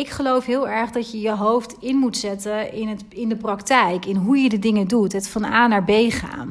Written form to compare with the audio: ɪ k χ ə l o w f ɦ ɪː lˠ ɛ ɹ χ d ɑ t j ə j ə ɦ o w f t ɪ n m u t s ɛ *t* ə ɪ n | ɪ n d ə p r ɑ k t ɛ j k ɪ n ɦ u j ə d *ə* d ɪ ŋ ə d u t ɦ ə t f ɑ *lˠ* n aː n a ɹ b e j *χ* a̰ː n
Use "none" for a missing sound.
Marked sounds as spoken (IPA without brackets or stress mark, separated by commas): t, ə, none, χ